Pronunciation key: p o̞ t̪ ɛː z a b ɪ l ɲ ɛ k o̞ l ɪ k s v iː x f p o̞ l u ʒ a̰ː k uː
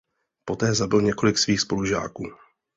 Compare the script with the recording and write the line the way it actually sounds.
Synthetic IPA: p o̞ t̪ ɛː z a b ɪ l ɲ ɛ k o̞ l ɪ k s v iː x s p o̞ l u ʒ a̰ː k uː